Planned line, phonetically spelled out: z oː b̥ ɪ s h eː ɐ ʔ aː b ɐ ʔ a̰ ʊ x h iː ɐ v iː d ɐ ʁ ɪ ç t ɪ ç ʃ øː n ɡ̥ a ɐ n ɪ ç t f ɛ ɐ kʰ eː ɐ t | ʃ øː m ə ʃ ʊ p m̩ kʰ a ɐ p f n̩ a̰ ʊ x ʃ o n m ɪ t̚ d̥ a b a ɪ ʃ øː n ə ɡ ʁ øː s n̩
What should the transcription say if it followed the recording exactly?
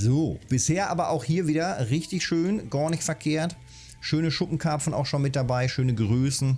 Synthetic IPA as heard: z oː b̥ ɪ s h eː ɐ ʔ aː b ɐ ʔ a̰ ʊ x h iː ɐ v iː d ɐ ʁ ɪ ç t ɪ ç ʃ øː n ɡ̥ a ɐ n ɪ ç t f ɛ ɐ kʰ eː ɐ t | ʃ øː n ə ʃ ʊ p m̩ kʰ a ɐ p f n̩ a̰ ʊ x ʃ o n m ɪ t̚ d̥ a b a ɪ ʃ øː n ə ɡ ʁ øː s n̩